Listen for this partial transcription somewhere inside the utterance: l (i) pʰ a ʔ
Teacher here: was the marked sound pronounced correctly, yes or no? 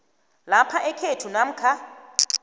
no